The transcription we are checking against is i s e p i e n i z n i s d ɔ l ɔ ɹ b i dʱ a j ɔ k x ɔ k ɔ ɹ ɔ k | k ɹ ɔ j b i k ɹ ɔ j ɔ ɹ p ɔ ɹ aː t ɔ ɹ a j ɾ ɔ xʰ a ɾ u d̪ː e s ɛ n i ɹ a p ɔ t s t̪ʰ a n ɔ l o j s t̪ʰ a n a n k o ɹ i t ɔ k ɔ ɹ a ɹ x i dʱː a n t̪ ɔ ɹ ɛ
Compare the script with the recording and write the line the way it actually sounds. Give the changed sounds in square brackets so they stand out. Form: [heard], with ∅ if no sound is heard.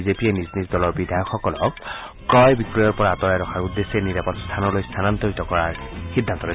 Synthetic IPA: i [z] e p i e n i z n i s d ɔ l ɔ ɹ b i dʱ a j ɔ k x ɔ k ɔ [l] ɔ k | k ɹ ɔ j b i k ɹ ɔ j ɔ ɹ p ɔ ɹ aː t ɔ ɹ a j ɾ ɔ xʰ a [ɹ] u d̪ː e s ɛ n i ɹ a p ɔ t s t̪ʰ a n ɔ l o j s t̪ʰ a n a n [t] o ɹ i t ɔ k ɔ ɹ a ɹ x i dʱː a n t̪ ɔ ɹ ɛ